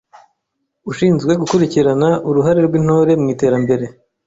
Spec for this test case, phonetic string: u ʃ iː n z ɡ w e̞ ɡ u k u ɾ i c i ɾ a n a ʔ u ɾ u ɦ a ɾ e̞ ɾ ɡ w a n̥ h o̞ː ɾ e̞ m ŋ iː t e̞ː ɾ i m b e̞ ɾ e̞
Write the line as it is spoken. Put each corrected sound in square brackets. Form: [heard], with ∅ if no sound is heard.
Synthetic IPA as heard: u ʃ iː n z ɡ w e̞ ɡ u k u ɾ i c i ɾ a n a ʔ u ɾ u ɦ a ɾ e̞ ɾ ɡ w [i] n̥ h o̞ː ɾ e̞ m ŋ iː t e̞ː ɾ [a] m b e̞ ɾ e̞